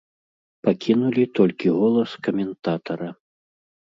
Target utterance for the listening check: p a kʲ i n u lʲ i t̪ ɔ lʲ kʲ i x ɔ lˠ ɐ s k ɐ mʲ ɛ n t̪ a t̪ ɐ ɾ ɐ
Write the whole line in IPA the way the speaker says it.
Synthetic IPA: p a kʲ i n u lʲ i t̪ ɔ lʲ kʲ i ɣ ɔ lˠ ɐ s k ɐ mʲ ɛ n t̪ a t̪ ɐ ɾ ɐ